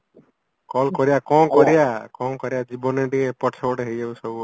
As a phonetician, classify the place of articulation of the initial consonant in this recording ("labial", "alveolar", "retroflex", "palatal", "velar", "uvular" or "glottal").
velar